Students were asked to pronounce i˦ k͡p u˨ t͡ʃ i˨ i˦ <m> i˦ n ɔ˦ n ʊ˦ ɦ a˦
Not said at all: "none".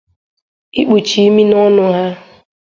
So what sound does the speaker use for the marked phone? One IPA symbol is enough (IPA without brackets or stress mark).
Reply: m